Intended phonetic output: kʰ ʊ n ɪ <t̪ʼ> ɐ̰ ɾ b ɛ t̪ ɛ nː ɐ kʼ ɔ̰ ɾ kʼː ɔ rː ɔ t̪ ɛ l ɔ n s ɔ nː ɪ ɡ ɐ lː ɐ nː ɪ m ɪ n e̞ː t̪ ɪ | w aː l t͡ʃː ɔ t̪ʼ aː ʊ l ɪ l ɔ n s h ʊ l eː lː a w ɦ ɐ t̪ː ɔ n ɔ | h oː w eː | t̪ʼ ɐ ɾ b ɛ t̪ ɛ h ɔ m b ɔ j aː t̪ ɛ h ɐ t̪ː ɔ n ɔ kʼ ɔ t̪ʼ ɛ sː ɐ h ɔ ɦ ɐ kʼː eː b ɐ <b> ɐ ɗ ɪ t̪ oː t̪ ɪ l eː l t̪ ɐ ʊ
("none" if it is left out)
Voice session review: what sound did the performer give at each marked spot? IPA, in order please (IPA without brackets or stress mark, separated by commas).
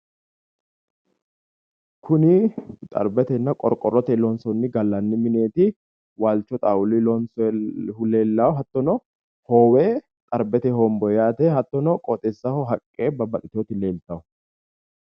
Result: t̪ʼ, b